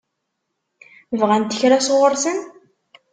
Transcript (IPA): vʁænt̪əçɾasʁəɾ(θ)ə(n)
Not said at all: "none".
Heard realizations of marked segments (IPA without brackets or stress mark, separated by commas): s, n